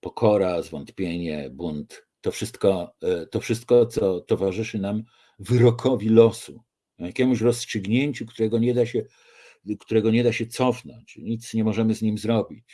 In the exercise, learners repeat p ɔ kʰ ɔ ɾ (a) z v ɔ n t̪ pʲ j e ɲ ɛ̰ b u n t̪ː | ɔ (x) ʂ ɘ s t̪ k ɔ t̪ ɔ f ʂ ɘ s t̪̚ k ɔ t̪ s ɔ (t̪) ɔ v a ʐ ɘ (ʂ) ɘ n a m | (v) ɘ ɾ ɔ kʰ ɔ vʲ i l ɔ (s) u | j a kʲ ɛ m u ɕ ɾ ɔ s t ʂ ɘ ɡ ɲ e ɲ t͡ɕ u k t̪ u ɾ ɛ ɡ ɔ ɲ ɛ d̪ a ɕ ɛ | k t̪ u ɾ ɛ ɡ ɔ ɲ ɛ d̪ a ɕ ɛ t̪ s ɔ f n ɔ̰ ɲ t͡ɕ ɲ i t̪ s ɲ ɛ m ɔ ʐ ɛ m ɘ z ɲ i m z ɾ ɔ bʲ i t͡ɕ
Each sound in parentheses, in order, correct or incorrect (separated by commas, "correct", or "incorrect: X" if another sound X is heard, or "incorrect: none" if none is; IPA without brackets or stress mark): correct, incorrect: f, correct, correct, correct, correct